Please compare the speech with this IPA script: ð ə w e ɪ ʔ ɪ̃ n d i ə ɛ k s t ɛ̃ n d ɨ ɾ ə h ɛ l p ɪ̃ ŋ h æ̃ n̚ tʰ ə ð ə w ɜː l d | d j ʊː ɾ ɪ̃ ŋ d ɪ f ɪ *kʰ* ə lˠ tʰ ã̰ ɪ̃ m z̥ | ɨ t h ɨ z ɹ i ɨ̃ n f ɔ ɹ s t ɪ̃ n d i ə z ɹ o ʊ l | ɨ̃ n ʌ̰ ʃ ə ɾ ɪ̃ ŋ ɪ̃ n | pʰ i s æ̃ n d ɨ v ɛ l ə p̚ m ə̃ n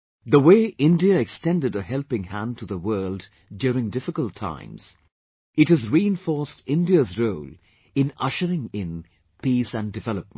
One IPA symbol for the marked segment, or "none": k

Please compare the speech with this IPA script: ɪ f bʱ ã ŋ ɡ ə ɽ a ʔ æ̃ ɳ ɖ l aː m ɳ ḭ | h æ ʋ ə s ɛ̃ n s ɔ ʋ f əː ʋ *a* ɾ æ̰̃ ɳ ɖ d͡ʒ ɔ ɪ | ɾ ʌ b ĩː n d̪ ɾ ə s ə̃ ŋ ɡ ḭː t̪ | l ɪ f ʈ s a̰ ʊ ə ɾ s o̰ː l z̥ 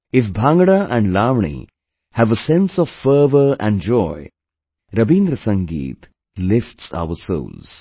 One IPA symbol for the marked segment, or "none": ə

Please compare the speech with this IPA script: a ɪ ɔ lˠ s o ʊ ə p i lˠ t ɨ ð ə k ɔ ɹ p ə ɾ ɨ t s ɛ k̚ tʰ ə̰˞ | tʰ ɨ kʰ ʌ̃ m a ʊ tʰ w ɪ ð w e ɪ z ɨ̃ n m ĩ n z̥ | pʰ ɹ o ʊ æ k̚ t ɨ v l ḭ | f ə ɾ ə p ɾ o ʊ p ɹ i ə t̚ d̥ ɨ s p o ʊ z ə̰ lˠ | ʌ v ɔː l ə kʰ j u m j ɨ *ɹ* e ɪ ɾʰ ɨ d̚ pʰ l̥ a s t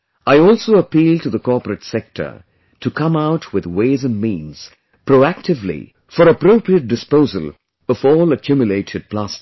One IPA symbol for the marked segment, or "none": l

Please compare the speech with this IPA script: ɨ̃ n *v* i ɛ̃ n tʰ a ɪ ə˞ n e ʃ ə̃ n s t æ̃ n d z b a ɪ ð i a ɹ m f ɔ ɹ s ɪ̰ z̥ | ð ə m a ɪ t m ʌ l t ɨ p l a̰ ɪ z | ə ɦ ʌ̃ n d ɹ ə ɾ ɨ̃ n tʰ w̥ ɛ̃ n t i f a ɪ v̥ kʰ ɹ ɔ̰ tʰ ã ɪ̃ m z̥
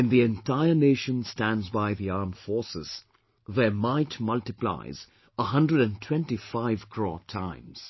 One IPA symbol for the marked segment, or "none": ð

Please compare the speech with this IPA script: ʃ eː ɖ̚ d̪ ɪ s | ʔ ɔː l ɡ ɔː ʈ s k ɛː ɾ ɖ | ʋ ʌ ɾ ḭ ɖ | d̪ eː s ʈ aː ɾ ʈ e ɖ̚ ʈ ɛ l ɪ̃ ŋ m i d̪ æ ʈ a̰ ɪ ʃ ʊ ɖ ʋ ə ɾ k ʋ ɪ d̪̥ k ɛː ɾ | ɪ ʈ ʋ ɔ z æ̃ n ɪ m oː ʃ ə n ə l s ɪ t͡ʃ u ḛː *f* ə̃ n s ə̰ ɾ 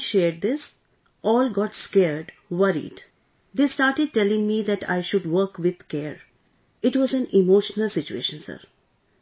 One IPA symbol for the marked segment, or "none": ʃ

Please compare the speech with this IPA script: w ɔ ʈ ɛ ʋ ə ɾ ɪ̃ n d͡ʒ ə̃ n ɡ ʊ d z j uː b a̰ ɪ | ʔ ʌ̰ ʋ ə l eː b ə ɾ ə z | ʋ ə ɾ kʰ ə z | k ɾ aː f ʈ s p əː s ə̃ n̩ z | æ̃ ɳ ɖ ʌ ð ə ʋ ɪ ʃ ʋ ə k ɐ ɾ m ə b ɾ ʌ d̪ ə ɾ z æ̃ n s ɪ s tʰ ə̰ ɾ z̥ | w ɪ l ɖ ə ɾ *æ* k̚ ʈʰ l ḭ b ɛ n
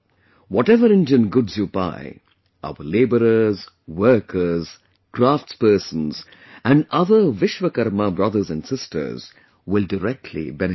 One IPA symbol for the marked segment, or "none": ɛ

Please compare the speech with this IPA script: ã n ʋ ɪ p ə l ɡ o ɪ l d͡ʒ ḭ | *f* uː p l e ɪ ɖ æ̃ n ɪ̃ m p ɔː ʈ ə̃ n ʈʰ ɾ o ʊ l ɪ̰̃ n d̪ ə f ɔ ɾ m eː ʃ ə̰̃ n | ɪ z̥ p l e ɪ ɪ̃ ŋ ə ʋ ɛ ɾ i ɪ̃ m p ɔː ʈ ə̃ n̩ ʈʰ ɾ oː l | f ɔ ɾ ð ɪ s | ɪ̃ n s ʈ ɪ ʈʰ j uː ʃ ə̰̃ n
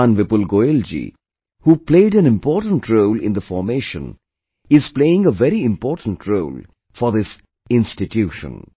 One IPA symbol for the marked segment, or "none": h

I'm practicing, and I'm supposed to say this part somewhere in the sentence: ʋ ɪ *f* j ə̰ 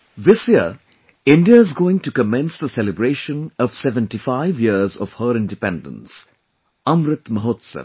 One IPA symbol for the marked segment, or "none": s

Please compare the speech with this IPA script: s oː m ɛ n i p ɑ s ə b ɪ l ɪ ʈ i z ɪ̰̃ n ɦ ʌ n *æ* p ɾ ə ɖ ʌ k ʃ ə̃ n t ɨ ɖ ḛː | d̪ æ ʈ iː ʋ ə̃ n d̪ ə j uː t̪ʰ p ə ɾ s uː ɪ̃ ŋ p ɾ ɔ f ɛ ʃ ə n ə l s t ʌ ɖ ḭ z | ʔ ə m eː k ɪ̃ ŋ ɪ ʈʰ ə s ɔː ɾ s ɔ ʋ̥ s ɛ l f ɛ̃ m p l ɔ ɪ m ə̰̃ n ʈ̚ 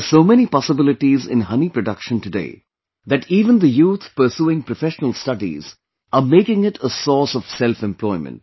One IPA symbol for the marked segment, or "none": i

